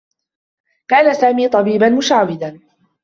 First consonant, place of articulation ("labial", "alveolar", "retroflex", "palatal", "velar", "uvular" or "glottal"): velar